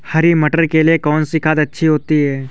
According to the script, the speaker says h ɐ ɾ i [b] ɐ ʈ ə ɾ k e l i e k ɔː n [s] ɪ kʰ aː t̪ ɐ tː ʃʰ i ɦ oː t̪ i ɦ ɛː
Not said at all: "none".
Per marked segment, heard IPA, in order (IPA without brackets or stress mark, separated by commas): m, s